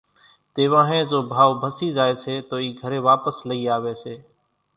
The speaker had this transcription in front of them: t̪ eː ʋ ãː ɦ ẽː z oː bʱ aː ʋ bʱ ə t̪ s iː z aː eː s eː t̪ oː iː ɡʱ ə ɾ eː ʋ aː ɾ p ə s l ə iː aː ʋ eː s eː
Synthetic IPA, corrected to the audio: t̪ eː ʋ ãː ɦ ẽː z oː bʱ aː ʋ bʱ ə s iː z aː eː s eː t̪ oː iː ɡʱ ə ɾ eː ʋ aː p ə s l ə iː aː ʋ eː s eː